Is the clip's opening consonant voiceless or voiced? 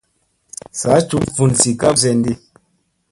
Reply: voiceless